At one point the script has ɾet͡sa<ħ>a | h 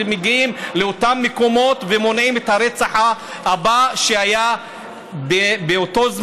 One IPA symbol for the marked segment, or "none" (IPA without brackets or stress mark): ħ